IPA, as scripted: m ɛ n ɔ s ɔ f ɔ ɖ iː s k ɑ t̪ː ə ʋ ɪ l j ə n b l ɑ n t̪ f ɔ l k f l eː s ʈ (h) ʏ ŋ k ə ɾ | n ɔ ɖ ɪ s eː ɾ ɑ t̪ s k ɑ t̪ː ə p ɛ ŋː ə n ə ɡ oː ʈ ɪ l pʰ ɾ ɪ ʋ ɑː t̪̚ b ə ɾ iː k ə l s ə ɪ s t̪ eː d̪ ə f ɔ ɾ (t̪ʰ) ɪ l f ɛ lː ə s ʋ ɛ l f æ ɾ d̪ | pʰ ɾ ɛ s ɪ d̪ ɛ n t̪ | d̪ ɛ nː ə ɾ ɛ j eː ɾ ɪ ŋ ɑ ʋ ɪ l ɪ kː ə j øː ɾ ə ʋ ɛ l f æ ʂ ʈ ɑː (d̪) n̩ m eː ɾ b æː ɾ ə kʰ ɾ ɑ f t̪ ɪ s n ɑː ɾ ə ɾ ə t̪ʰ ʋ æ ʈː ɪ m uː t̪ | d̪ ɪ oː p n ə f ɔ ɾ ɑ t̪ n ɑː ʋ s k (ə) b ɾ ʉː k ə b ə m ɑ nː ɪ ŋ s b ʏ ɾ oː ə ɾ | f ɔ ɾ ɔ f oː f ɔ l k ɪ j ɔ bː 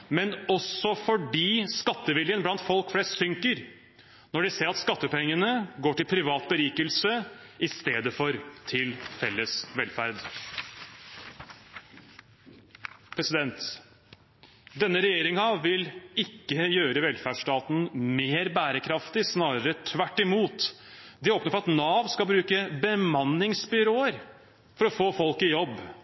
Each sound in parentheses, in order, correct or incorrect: incorrect, correct, incorrect, incorrect

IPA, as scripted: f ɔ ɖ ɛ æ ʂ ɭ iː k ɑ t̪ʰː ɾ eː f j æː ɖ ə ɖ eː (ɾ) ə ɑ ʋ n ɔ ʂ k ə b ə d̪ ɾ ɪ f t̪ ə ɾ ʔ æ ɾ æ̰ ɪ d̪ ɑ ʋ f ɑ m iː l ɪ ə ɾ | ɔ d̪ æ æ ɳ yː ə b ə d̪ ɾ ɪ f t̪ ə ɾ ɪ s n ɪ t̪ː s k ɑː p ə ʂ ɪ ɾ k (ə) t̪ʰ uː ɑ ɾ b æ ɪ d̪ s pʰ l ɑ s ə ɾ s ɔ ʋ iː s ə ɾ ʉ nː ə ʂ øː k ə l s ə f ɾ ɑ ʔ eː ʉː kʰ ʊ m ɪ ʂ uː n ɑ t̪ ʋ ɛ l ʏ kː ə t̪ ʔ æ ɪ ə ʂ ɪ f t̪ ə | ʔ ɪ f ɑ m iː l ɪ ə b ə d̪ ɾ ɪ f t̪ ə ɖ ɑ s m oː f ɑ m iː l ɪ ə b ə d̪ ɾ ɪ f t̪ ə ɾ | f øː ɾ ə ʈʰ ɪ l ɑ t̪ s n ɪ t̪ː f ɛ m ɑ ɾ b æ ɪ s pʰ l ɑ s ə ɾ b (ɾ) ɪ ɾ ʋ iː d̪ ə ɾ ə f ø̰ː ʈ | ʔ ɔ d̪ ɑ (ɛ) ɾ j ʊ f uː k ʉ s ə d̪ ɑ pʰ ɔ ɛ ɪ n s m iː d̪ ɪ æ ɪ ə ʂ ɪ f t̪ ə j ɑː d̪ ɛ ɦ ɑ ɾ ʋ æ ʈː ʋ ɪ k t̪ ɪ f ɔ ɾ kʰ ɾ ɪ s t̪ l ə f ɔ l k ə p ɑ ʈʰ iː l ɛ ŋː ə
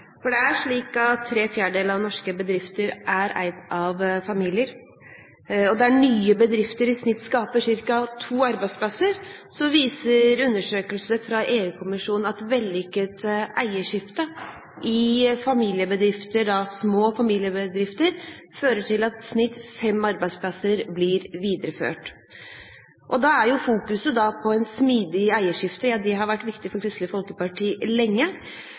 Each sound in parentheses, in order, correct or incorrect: incorrect, incorrect, incorrect, incorrect

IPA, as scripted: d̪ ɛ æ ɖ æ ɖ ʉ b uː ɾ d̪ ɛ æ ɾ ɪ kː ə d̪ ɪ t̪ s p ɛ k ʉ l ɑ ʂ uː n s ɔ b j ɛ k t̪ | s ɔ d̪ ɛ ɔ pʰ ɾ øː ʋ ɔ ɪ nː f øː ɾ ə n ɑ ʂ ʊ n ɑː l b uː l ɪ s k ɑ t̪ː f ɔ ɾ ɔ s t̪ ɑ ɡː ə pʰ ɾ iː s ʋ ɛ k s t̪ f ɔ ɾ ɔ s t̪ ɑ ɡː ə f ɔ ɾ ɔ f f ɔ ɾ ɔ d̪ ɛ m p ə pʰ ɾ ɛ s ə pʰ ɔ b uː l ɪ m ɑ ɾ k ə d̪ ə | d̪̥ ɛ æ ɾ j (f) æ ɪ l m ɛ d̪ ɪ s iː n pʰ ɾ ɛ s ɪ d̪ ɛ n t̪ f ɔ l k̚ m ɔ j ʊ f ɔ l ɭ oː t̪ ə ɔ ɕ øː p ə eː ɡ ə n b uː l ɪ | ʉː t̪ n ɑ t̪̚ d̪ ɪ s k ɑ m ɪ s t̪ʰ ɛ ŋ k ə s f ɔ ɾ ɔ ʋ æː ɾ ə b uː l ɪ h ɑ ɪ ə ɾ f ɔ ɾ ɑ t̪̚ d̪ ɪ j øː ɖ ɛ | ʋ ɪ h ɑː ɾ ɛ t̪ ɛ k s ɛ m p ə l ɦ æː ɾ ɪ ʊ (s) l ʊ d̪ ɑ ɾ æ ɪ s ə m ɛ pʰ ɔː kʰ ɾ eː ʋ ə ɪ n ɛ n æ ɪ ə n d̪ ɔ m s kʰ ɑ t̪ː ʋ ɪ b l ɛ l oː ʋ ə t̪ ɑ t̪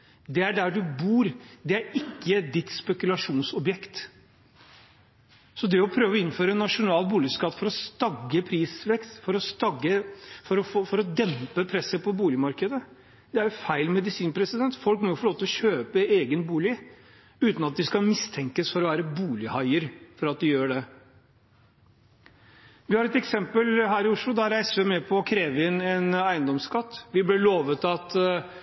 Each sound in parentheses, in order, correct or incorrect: correct, incorrect

